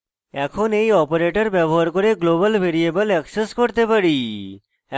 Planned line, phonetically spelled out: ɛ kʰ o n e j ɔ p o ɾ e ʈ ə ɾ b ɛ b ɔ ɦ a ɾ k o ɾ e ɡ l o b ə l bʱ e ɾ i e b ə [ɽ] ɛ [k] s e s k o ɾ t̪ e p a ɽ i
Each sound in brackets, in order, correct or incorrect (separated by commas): incorrect, correct